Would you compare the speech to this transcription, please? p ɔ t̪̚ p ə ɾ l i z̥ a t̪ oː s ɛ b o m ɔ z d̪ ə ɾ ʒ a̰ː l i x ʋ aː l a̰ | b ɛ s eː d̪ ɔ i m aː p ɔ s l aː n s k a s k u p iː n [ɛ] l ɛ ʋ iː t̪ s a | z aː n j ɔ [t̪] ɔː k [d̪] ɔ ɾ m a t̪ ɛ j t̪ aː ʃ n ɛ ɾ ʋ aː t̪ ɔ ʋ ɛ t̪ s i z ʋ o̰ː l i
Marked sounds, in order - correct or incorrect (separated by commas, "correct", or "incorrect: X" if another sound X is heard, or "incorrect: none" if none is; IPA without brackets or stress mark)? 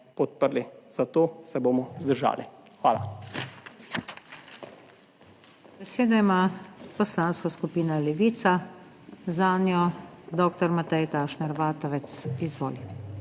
incorrect: a, incorrect: d̪, incorrect: t̪